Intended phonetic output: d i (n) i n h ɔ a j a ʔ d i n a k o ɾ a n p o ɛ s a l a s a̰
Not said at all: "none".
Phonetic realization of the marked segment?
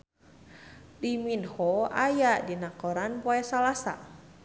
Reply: m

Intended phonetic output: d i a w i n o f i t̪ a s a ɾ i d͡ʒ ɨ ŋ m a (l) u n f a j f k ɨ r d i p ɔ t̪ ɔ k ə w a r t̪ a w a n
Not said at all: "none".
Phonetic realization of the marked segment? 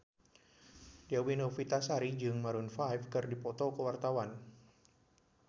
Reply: ɾ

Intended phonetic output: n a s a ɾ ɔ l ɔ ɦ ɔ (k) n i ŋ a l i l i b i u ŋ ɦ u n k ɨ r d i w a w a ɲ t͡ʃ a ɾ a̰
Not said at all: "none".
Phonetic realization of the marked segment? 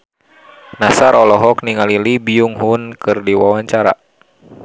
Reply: k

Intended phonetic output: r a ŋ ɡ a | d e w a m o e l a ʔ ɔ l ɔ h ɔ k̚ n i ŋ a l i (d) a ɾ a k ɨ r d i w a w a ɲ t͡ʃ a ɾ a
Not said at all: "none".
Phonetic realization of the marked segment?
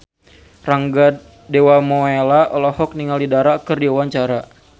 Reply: d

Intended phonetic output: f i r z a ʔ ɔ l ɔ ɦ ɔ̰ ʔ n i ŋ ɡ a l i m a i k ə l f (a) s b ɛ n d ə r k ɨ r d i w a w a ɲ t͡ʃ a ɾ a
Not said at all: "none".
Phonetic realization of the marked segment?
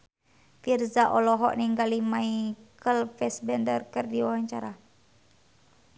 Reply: ɛ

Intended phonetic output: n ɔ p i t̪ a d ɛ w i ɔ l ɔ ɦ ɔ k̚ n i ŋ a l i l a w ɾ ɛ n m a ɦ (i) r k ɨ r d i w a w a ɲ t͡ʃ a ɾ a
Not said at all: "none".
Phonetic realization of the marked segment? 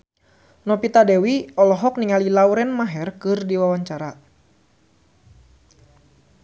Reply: ɛ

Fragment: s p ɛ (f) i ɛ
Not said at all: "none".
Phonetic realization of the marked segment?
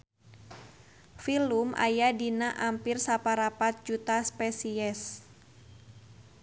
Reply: s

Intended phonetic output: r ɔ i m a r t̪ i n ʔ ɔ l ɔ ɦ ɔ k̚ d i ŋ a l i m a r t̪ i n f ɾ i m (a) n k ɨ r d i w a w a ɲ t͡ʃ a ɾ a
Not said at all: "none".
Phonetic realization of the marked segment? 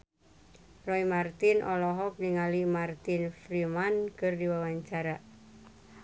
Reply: a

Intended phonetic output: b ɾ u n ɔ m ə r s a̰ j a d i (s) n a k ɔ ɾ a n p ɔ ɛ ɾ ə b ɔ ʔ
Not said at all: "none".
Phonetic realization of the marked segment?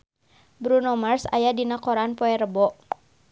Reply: none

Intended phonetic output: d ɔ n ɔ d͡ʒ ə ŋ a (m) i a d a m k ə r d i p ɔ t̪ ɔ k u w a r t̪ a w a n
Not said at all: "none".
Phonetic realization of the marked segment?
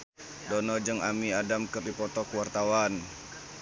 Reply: m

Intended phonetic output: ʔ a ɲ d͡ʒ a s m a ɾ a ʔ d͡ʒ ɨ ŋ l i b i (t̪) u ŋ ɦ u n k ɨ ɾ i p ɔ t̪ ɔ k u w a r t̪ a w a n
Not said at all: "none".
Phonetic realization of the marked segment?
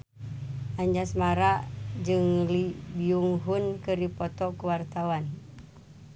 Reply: none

